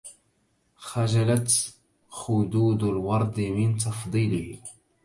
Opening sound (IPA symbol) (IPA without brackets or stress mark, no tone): x